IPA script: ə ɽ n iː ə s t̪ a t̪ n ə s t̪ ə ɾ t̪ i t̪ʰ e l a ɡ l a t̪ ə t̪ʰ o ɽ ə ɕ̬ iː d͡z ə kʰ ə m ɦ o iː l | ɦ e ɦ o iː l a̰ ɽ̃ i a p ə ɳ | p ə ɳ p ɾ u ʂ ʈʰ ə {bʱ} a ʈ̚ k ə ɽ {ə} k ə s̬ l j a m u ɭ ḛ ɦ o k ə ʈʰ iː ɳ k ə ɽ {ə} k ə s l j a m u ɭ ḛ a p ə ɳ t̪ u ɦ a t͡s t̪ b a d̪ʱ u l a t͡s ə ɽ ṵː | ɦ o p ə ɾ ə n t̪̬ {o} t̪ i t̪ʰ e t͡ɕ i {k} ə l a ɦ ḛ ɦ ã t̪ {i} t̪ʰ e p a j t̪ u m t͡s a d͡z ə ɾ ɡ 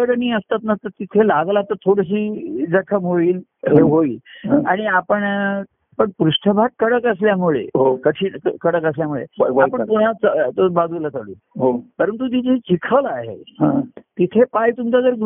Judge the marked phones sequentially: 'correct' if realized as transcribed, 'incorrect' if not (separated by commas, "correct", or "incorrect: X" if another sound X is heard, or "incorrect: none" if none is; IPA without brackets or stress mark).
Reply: correct, correct, correct, incorrect: u, incorrect: kʰ, correct